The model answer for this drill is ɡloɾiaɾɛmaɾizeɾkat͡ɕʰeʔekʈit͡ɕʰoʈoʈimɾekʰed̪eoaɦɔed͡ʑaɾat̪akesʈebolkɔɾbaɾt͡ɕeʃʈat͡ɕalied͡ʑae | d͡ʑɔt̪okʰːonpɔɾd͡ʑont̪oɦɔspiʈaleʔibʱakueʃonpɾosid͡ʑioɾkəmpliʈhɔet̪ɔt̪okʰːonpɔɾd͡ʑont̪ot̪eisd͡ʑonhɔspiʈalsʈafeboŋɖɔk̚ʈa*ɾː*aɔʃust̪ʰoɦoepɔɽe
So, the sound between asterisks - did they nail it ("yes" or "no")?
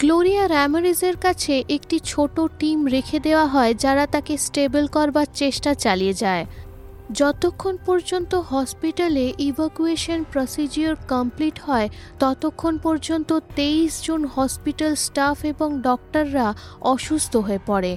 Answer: yes